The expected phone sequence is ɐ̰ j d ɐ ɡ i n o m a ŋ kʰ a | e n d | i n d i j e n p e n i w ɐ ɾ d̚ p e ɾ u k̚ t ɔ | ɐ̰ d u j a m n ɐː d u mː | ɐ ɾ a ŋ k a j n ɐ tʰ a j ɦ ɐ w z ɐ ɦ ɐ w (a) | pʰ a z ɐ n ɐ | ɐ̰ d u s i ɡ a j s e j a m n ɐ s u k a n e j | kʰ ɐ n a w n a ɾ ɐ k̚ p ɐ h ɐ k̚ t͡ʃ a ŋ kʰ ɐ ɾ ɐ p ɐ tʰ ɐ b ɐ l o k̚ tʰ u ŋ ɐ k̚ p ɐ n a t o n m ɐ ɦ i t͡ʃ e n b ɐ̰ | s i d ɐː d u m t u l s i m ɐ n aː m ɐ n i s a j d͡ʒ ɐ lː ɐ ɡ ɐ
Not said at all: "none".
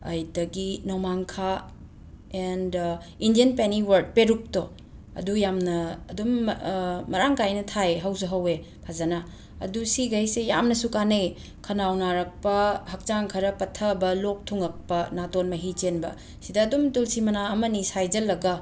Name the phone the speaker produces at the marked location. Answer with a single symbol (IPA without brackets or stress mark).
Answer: e